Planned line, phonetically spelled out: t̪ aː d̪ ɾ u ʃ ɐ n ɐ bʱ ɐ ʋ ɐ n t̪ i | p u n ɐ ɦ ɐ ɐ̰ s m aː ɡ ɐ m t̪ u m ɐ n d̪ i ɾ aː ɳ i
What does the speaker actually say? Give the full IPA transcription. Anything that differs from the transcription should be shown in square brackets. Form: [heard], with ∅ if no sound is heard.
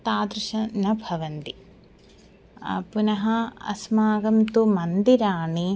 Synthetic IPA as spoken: t̪ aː d̪ ɾ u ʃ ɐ n ɐ bʱ ɐ ʋ ɐ n t̪ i | p u n ɐ ɦ ɐ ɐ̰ s m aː ɡ ɐ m t̪ u m ɐ n d̪ i ɾ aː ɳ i